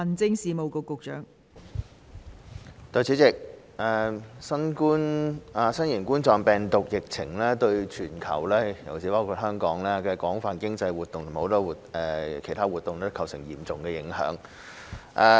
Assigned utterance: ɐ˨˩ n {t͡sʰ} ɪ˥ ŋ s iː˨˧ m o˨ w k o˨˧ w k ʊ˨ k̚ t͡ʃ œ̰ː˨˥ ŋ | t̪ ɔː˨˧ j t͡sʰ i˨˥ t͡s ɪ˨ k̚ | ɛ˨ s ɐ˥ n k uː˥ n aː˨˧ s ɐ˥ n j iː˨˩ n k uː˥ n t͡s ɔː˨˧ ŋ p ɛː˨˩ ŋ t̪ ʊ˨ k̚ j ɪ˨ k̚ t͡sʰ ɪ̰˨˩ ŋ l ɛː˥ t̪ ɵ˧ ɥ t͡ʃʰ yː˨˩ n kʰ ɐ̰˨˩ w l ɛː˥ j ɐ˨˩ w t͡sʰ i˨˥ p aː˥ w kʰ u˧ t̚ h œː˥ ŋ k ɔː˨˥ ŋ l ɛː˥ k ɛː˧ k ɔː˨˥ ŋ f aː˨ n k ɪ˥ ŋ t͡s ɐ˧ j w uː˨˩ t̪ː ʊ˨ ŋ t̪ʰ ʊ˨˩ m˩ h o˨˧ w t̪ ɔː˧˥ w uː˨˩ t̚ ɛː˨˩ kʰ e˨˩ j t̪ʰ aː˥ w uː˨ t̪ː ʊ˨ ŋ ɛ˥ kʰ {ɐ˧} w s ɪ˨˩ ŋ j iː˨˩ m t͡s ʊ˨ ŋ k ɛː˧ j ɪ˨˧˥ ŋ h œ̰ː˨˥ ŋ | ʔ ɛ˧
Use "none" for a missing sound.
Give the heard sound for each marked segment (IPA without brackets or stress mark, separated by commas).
t͡s, ɐ˨˩